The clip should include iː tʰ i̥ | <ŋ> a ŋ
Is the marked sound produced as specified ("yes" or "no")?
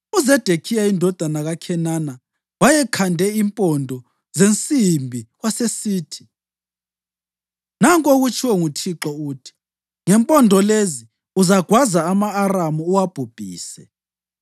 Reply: no